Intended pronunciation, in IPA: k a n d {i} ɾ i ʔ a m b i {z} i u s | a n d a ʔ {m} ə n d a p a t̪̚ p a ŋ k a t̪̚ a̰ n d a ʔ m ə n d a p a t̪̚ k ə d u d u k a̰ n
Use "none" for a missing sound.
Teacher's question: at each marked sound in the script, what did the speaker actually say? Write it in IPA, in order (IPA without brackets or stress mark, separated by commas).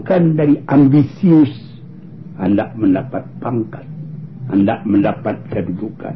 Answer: a, s, m